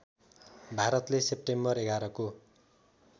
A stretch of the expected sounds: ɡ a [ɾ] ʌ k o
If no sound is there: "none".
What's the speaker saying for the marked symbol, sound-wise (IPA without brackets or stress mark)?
ɾ